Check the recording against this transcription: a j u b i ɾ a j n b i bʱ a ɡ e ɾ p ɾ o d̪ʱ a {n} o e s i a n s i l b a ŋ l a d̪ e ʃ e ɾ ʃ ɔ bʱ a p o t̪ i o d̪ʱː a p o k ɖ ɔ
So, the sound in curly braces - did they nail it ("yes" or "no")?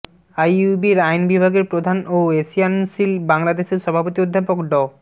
yes